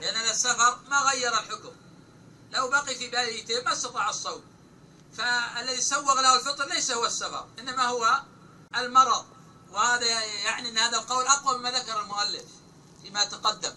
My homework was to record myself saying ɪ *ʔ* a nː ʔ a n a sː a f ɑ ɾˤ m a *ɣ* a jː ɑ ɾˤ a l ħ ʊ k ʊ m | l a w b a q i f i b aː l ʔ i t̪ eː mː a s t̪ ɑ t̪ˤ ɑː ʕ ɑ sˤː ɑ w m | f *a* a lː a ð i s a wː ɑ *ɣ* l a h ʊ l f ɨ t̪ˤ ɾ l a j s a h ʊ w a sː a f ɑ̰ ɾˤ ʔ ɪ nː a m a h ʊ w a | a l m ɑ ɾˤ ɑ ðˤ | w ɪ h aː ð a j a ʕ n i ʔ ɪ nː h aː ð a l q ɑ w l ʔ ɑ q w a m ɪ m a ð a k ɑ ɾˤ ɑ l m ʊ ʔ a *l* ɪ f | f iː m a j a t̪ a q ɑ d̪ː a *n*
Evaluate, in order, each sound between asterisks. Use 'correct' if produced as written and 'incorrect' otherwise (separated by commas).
correct, correct, correct, correct, incorrect, incorrect